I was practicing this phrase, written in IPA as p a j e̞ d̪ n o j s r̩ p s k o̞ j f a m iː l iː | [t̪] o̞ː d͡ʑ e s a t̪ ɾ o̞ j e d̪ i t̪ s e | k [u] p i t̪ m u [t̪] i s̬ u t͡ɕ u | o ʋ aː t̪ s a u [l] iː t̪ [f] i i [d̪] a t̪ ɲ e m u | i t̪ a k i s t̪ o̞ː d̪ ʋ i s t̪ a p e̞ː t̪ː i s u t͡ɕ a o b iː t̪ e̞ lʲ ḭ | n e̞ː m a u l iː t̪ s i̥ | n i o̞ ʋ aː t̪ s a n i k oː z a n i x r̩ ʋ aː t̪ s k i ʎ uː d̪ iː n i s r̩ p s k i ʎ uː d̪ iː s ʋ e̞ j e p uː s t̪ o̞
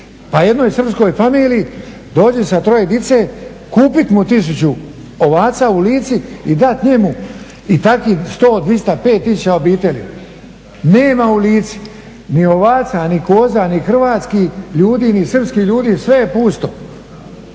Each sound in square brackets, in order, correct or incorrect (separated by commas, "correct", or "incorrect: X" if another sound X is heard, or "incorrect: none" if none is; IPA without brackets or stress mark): incorrect: d̪, incorrect: uː, correct, correct, incorrect: s, correct